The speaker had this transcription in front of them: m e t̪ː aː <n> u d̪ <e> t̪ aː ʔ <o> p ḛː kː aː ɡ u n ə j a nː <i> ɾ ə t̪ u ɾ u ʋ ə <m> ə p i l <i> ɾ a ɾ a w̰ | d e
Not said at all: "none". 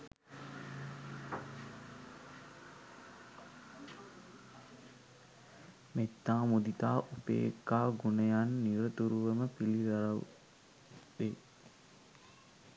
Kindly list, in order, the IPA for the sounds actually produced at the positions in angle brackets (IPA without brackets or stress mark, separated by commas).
m, i, u, i, m, i